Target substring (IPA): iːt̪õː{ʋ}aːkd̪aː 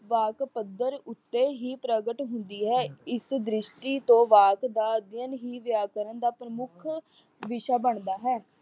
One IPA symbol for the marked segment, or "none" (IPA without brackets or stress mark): ʋ